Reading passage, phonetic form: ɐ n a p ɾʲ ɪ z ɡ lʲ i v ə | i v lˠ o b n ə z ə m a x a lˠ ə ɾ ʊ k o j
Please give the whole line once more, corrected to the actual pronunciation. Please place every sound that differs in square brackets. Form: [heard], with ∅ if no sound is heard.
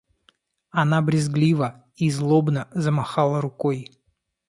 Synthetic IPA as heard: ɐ n a [b] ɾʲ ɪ z ɡ lʲ i v ə | i [z] lˠ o b n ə z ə m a x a lˠ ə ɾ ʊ k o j